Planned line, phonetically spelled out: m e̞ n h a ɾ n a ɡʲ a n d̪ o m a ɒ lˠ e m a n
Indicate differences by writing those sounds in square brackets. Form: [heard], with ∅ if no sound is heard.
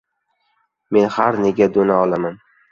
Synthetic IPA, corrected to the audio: m e̞ n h a ɾ n [e] ɡʲ a [∅] d̪ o [n] a ɒ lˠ [a] m a n